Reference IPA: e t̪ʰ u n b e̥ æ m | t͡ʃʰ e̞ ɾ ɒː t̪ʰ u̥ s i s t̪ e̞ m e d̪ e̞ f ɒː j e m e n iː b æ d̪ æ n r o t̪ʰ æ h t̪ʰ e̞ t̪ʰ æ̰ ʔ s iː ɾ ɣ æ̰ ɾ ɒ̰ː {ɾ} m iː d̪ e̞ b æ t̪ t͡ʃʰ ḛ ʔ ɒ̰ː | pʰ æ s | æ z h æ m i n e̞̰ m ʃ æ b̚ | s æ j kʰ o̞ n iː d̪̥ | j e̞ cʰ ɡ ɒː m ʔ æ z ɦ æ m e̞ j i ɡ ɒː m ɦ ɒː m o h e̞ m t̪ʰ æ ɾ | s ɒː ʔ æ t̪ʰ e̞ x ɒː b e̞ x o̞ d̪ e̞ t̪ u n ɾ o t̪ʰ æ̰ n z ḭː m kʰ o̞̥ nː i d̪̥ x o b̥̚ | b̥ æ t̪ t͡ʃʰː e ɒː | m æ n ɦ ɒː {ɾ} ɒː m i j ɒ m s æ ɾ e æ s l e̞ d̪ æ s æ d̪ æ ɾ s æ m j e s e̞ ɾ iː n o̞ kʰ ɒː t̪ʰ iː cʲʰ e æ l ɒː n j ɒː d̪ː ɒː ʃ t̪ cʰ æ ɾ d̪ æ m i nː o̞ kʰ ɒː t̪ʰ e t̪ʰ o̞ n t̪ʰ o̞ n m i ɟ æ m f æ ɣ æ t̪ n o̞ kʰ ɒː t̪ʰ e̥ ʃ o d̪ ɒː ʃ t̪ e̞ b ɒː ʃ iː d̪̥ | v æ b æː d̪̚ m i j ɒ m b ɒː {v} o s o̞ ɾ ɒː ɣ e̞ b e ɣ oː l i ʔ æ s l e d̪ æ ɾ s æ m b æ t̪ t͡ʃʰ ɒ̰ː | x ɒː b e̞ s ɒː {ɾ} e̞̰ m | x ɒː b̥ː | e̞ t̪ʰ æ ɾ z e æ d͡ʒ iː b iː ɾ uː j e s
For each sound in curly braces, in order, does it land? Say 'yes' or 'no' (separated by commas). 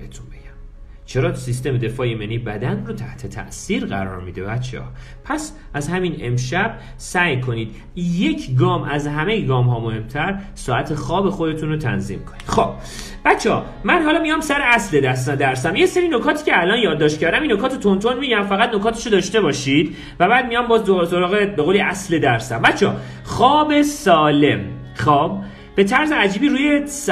yes, no, no, no